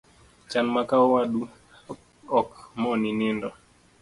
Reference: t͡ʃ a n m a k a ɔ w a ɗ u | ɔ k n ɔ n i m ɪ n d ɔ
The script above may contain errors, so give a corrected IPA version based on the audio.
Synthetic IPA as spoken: t͡ʃ a n m a k a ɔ w a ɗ u | ɔ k m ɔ n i n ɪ n d ɔ